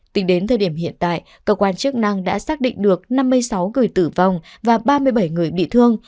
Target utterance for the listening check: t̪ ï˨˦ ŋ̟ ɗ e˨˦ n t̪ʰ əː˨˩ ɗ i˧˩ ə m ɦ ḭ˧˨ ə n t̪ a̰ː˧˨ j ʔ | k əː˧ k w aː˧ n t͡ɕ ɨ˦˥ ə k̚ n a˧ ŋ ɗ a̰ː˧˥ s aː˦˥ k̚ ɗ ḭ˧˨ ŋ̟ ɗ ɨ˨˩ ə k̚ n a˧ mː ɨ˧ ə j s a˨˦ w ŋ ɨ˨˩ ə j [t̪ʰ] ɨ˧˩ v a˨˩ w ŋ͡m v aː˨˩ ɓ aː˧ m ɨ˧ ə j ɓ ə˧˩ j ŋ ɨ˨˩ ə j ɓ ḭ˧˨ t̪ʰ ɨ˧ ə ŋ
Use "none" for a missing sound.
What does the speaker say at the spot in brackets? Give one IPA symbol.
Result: t̪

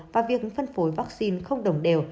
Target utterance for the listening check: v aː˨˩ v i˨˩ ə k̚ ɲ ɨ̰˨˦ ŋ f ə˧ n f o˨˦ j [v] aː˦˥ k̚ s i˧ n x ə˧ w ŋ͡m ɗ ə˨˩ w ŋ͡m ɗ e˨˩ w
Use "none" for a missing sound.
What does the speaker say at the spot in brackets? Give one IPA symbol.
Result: v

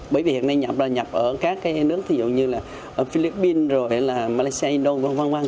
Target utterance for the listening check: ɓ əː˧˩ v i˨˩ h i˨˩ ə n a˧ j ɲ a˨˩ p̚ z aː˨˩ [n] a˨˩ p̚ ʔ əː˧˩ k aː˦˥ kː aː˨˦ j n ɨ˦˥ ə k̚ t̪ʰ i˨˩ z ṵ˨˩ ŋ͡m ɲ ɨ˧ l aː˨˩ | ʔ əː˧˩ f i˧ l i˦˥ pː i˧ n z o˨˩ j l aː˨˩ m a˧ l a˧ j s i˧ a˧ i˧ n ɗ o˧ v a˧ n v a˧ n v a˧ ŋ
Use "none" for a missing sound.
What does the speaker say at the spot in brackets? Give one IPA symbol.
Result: ɲ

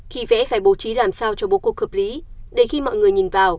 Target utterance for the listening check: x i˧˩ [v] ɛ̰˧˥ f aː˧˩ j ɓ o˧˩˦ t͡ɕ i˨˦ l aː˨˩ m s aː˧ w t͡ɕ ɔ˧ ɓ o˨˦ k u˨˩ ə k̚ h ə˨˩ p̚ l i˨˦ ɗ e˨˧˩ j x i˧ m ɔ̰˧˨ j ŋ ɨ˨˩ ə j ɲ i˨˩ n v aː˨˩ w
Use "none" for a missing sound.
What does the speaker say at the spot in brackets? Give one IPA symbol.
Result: v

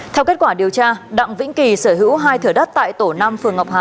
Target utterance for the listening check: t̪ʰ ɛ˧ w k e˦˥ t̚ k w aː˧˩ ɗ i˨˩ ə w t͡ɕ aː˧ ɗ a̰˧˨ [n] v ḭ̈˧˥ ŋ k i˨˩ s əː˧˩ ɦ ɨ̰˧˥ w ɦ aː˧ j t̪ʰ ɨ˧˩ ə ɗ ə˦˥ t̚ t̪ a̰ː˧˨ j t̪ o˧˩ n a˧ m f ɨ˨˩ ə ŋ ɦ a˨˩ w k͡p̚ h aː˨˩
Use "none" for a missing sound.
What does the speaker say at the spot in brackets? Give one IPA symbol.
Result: ŋ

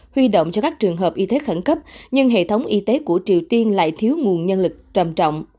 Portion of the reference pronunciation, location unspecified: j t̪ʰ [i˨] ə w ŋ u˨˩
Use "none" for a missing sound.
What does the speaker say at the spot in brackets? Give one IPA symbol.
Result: i˨˦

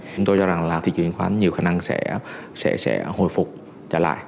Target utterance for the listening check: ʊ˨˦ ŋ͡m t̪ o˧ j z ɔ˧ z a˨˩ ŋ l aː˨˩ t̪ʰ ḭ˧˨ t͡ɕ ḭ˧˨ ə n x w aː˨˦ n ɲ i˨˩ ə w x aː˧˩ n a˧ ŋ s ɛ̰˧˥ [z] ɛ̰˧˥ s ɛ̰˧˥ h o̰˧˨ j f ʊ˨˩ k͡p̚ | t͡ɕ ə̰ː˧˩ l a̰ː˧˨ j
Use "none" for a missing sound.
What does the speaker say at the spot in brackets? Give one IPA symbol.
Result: s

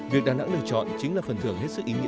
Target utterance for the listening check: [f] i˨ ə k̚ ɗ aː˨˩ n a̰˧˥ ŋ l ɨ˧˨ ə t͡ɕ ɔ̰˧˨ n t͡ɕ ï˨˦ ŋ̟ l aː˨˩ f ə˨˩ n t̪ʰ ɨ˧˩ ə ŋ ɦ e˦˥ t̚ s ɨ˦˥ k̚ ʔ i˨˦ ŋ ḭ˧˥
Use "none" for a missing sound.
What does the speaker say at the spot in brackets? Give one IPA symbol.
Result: v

